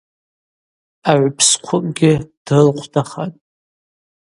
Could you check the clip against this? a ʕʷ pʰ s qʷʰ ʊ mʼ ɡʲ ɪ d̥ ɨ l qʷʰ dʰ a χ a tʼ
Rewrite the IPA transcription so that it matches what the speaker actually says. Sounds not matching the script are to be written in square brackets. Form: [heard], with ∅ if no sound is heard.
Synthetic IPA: a ʕʷ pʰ s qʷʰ ʊ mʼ ɡʲ ɪ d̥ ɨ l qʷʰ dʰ a χ a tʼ